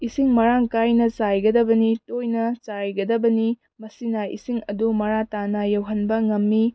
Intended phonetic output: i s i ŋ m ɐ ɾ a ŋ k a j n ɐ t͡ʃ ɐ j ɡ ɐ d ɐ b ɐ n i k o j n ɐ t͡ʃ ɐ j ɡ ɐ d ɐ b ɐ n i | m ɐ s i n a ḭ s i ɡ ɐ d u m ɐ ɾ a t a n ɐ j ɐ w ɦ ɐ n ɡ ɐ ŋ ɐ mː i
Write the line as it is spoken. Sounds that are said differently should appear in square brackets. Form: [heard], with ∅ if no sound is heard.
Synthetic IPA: i s i ŋ m ɐ ɾ a ŋ k a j n ɐ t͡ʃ [a] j ɡ ɐ d ɐ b ɐ n i [t] o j n ɐ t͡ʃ [a] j ɡ ɐ d ɐ b ɐ n i | m ɐ s i n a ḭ s i [ŋ] ɐ d u m ɐ ɾ a t a n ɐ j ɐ w ɦ ɐ n [b] ɐ ŋ ɐ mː i